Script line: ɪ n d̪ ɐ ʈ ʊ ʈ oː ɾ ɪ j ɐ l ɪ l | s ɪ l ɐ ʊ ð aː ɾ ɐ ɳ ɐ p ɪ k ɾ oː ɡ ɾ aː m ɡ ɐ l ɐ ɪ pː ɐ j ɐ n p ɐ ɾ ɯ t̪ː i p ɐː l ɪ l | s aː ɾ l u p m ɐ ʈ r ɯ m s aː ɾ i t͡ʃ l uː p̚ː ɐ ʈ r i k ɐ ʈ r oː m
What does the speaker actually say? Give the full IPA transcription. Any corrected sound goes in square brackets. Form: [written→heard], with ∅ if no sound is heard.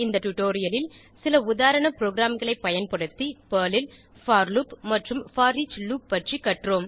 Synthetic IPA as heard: ɪ n d̪ ɐ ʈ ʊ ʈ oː ɾ ɪ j ɐ l ɪ l | s ɪ l ɐ ʊ ð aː ɾ ɐ ɳ ɐ p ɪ [k→∅] ɾ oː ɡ ɾ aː m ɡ ɐ [l→ɭ] ɐ ɪ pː ɐ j ɐ n p ɐ [ɾ→ɽ] ɯ t̪ː i p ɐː l ɪ l | [s→f] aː ɾ l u p m ɐ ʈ r ɯ m [s→f] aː ɾ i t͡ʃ l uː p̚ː ɐ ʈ r i k ɐ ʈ r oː m